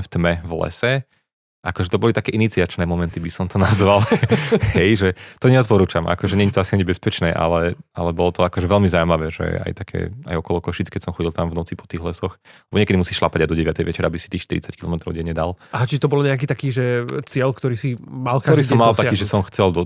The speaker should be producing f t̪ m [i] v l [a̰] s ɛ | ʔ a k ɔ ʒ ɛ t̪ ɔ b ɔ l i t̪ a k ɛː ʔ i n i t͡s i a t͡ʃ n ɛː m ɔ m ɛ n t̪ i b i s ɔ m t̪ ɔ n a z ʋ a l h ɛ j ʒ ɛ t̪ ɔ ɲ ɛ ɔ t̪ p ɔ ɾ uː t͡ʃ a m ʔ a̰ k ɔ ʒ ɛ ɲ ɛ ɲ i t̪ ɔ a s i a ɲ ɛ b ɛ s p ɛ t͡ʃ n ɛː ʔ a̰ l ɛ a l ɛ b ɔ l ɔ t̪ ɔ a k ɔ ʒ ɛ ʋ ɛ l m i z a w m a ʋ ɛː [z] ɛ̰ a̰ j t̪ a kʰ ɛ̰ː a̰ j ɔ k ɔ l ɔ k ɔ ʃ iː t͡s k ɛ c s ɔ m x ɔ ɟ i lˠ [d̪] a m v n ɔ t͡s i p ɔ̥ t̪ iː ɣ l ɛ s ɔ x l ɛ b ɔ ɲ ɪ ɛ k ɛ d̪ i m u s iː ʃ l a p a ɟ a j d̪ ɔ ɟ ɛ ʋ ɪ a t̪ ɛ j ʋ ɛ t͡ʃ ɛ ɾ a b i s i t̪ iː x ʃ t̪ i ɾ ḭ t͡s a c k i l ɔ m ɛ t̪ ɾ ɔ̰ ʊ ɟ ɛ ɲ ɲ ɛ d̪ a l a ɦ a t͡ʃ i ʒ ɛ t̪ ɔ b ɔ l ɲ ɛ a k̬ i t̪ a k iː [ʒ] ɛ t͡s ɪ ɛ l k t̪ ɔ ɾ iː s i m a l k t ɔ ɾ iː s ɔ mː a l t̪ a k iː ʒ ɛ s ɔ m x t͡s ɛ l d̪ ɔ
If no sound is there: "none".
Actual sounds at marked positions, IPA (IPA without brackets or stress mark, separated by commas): ɛ, ɛ̰, ʒ, t̪, ʒ